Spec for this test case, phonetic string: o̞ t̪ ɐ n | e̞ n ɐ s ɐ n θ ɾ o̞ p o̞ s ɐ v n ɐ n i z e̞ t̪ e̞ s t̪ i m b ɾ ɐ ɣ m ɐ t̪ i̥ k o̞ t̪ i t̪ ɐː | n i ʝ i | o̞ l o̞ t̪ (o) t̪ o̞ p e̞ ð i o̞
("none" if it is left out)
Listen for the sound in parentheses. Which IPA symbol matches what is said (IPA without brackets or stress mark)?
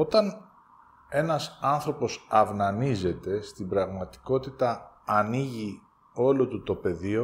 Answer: u